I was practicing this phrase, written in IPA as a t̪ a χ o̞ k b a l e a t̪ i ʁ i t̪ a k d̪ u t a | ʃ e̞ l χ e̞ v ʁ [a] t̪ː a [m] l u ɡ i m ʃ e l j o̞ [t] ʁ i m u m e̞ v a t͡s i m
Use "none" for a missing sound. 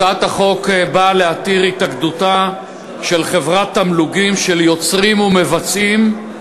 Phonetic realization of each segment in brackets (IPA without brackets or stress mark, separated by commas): a, m, t͡s